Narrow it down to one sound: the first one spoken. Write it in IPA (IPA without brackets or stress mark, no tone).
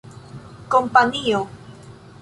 k